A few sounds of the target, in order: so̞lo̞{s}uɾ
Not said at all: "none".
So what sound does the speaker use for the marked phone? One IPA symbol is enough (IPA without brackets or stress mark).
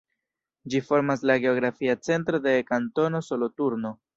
t